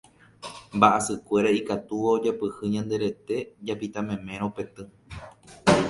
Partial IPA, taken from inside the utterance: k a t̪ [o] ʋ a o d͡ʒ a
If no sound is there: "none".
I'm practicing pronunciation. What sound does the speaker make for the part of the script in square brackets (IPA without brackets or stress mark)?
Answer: u